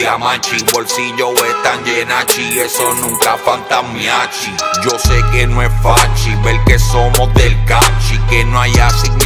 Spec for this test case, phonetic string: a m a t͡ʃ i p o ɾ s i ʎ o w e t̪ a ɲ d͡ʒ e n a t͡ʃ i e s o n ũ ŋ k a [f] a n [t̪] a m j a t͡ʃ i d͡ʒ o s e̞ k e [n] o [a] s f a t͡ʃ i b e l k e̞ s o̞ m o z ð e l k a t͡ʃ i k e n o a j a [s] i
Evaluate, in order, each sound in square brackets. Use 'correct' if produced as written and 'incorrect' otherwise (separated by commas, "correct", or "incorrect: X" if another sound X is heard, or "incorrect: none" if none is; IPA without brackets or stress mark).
correct, correct, correct, incorrect: e, correct